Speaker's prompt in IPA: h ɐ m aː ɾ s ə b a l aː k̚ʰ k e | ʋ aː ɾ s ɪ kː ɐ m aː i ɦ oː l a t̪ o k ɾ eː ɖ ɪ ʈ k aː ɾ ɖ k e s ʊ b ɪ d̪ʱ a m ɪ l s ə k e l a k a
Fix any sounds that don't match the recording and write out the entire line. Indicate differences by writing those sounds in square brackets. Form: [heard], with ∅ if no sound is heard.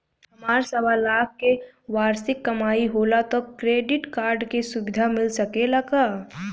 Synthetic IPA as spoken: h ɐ m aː ɾ s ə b a l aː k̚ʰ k e | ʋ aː ɾ s ɪ kː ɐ m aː i ɦ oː l a t̪ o k ɾ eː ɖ ɪ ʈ k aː ɾ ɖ k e s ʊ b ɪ d̪ʱ a m ɪ l s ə k e l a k a